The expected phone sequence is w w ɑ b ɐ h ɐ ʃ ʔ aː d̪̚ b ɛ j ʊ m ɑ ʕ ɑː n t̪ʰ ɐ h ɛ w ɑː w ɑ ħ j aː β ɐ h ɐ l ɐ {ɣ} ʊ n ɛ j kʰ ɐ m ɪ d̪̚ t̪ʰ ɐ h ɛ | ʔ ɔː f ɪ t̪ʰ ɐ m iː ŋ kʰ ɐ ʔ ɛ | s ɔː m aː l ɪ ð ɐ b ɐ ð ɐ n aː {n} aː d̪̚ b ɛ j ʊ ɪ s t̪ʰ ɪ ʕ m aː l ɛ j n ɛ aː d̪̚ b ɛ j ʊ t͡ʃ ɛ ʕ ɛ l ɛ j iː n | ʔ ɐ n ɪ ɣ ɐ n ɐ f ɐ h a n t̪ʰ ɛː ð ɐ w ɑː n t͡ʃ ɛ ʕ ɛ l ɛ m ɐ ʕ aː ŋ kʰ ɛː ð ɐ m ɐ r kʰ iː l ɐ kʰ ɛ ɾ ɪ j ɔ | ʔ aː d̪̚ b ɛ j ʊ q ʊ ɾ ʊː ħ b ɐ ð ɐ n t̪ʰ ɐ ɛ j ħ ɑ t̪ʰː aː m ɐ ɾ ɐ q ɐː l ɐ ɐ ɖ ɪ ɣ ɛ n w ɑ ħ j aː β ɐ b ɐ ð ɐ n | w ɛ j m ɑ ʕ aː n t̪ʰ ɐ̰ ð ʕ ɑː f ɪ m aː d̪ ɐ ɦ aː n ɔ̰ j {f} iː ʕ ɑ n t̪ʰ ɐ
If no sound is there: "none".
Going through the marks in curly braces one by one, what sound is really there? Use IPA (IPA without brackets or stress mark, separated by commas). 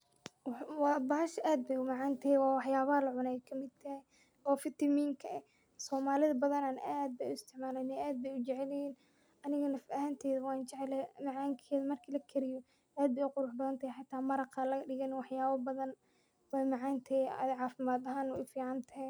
ʕ, n, f